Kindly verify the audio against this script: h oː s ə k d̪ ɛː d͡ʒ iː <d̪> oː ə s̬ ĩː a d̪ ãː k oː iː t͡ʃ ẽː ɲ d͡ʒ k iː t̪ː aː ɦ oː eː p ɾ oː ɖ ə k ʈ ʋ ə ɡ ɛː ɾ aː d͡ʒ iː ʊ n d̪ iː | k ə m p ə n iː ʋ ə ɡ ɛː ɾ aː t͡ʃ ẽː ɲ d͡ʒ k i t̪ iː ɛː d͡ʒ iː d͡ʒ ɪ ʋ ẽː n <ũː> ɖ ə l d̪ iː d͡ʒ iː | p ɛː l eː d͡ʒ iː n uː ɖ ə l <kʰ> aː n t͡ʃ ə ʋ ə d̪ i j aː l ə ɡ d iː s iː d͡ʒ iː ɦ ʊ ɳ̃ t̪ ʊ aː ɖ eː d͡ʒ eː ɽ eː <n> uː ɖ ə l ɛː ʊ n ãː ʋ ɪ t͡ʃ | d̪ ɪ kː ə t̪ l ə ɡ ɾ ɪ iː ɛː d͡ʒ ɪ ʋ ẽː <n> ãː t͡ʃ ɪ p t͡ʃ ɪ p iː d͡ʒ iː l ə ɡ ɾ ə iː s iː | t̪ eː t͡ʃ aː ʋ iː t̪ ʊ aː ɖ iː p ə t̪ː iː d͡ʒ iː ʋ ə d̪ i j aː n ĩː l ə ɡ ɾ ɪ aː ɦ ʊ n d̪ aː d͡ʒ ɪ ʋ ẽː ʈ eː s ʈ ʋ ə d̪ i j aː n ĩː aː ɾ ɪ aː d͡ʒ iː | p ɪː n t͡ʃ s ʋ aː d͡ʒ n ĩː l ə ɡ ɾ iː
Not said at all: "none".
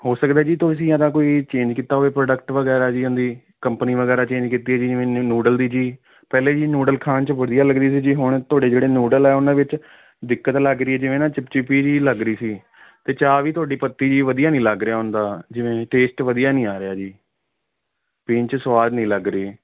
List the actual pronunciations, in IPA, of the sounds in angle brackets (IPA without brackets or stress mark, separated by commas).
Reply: t̪, uː, kʰ, n, n